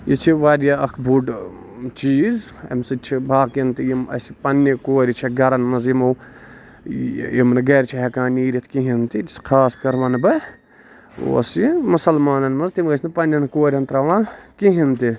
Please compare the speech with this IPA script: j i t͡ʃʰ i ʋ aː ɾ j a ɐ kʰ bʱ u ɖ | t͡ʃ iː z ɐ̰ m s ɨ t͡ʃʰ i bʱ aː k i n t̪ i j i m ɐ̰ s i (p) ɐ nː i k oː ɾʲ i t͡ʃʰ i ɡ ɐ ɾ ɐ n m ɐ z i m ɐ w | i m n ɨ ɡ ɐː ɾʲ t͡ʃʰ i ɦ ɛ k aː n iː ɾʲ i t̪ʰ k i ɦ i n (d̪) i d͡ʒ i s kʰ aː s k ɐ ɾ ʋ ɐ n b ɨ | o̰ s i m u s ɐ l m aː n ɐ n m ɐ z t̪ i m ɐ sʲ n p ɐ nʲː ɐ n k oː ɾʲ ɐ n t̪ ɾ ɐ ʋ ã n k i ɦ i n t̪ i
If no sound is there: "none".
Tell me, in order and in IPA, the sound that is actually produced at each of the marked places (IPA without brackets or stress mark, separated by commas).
p, t̪